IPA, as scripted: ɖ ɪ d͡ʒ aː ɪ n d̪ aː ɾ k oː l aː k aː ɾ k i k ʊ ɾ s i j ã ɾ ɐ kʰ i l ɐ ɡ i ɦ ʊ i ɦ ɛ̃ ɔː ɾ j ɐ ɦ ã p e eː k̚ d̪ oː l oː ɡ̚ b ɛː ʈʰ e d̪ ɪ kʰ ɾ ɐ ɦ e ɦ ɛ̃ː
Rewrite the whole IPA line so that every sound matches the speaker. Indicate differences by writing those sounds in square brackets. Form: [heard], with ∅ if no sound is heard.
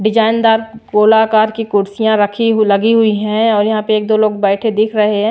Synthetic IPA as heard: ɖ ɪ d͡ʒ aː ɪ n d̪ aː ɾ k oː l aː k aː ɾ k i k ʊ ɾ s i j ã ɾ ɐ kʰ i l ɐ ɡ i ɦ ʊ i ɦ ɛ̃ ɔː ɾ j ɐ ɦ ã p e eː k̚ d̪ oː l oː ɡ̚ b ɛː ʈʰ e d̪ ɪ kʰ ɾ ɐ ɦ e ɦ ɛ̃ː

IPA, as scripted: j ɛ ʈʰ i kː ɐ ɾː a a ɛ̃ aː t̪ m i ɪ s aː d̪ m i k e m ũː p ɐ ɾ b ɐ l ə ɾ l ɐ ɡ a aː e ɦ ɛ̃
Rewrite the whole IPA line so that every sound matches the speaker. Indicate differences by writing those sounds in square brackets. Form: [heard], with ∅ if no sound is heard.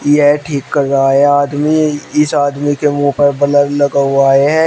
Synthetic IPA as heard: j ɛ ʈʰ [iː] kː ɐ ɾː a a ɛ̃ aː [d̪] m i ɪ s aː d̪ m i k e m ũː p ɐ ɾ b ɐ l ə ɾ l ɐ ɡ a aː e ɦ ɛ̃

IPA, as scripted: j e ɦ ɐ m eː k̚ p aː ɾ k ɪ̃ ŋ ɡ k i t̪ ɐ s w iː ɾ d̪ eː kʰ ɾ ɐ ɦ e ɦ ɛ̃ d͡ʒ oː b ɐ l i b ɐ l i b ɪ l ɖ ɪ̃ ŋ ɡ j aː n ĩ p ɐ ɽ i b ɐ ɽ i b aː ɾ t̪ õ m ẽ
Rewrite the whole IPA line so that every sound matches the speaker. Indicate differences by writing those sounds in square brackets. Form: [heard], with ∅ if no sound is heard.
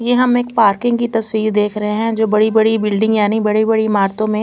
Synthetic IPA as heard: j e ɦ ɐ m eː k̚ p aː ɾ k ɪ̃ ŋ ɡ k i t̪ ɐ s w iː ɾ d̪ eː kʰ ɾ ɐ ɦ e ɦ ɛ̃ d͡ʒ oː b ɐ [ɽ] i b ɐ [ɽ] i b ɪ l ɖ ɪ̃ ŋ ɡ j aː n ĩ [b] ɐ ɽ i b ɐ ɽ i [m] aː ɾ t̪ õ m ẽ

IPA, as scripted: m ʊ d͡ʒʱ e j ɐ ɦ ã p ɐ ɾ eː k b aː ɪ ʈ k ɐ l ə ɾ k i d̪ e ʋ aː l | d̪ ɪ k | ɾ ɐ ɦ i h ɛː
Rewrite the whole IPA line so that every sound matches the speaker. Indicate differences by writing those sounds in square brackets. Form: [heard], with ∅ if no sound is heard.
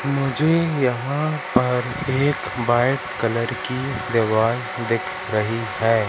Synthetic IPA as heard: m ʊ d͡ʒʱ e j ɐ ɦ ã p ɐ ɾ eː k b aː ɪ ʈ k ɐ l ə ɾ k i d̪ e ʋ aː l | d̪ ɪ [kʰ] | ɾ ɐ ɦ i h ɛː

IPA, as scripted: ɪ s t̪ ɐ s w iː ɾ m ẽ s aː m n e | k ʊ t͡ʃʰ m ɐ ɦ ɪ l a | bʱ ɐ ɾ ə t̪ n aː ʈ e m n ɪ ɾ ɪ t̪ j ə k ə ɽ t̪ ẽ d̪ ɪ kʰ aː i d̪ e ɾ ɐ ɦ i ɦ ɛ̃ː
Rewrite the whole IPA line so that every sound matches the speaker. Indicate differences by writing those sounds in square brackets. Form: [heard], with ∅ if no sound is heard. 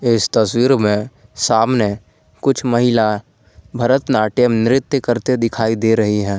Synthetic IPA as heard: ɪ s t̪ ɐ s w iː ɾ m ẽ s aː m n e | k ʊ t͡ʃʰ m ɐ ɦ ɪ l a | bʱ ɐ ɾ ə t̪ n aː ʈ e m n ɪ ɾ ɪ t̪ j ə k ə [ɾ] t̪ [e] d̪ ɪ kʰ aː i d̪ e ɾ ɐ ɦ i ɦ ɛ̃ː

